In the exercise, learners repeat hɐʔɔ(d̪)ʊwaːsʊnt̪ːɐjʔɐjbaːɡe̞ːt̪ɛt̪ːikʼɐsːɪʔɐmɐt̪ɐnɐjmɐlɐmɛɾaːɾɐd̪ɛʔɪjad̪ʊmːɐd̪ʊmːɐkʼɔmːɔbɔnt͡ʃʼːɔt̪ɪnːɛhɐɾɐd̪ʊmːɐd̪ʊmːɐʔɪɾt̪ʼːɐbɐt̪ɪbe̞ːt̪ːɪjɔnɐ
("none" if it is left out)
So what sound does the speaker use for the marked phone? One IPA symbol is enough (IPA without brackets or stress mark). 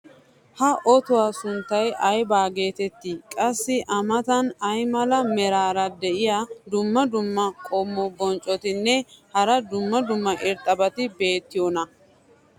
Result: t̪